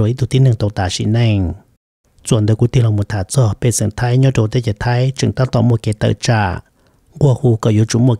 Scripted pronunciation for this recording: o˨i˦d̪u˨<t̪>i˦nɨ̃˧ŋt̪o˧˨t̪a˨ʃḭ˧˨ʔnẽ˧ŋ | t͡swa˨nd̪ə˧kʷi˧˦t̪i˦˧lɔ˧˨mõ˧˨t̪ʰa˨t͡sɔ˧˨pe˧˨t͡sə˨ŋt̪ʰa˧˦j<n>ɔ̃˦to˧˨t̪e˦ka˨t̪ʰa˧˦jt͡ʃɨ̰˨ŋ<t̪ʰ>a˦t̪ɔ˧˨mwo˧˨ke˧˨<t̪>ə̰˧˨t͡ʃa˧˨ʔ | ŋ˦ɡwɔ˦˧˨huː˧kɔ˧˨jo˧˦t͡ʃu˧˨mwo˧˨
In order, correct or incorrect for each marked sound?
correct, incorrect: ɲ, incorrect: t̪, correct

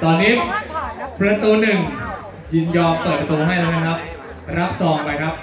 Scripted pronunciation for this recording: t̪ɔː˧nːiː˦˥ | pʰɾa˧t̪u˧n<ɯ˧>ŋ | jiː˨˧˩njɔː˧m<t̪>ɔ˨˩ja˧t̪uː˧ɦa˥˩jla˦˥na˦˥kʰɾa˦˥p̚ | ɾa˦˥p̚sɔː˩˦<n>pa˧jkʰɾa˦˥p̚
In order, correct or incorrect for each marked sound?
incorrect: ɯ˨˩, correct, incorrect: ŋ

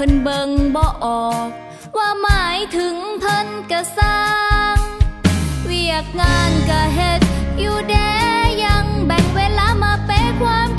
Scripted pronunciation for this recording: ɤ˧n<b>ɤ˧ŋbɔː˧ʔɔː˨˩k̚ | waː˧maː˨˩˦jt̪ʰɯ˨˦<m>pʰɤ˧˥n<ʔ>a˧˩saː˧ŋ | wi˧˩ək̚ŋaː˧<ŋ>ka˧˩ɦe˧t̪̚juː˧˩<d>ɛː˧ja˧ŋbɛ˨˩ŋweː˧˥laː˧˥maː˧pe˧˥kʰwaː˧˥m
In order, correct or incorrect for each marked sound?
correct, incorrect: ŋ, incorrect: k, incorrect: n, correct

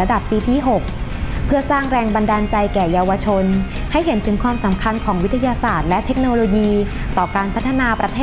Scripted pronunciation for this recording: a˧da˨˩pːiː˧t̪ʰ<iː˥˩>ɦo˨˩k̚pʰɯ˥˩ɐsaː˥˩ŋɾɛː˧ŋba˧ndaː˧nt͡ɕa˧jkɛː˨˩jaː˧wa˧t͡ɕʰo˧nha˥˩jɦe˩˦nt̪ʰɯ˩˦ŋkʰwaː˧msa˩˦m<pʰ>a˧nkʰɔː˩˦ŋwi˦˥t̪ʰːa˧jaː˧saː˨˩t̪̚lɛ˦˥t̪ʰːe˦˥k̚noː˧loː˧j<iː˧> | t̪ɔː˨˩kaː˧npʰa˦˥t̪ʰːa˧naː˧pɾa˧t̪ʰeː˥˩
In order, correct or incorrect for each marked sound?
correct, incorrect: kʰ, correct

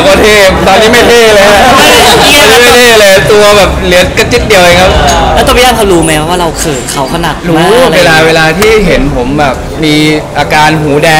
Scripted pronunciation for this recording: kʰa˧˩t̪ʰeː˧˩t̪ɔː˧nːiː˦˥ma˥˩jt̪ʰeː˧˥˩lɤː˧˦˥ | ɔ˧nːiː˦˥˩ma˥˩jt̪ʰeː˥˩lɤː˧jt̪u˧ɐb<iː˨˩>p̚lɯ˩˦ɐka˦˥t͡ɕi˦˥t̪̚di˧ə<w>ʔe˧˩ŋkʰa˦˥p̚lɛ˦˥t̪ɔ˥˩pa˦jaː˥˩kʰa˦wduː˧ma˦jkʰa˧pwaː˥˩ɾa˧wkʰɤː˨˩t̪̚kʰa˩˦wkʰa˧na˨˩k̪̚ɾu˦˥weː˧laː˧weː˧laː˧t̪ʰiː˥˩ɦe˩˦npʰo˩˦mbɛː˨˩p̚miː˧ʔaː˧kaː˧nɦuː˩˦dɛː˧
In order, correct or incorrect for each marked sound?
incorrect: ɛː˨˩, correct

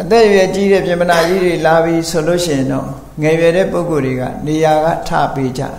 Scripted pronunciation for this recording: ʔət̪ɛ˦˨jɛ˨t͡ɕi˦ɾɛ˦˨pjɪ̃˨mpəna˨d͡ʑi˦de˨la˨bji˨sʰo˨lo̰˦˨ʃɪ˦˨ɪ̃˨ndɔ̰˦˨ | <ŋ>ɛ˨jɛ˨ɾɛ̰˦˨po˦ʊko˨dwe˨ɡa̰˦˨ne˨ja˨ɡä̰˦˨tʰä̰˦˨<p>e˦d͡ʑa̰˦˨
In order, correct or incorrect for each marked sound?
correct, correct

